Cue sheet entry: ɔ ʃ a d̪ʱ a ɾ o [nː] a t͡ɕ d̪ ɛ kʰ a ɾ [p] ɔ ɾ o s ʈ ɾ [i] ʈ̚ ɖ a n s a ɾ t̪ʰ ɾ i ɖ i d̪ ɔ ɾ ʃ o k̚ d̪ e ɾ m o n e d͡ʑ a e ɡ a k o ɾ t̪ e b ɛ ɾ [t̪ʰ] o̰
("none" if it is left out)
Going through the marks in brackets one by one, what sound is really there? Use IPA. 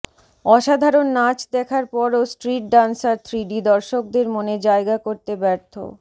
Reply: nː, p, i, t̪ʰ

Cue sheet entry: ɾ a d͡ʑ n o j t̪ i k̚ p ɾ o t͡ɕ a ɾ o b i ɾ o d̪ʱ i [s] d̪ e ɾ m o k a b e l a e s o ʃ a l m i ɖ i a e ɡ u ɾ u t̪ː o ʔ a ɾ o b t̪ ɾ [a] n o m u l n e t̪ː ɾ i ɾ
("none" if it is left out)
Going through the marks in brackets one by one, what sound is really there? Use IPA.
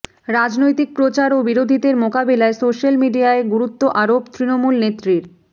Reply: none, i

